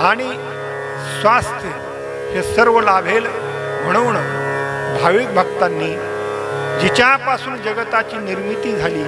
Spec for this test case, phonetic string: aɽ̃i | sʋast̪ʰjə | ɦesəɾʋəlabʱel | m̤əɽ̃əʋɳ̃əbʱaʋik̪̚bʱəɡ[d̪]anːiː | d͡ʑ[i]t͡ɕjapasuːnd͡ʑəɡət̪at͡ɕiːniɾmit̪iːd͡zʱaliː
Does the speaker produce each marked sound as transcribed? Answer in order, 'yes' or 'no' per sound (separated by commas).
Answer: no, yes